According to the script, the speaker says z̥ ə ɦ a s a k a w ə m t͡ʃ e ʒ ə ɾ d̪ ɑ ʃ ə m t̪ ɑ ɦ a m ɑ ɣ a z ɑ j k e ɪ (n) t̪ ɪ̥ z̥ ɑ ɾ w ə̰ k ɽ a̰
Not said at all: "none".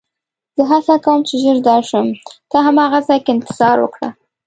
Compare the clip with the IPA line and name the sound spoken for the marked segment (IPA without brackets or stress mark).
n